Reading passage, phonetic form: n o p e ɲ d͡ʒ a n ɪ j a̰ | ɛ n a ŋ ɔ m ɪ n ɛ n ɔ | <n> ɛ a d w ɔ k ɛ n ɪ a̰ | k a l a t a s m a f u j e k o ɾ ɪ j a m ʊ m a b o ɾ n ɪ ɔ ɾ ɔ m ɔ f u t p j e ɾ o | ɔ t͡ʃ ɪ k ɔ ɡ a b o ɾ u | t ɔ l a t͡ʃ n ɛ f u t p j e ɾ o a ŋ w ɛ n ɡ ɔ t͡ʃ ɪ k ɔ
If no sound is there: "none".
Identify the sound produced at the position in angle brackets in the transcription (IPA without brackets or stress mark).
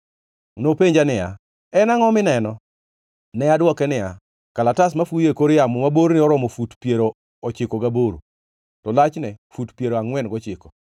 n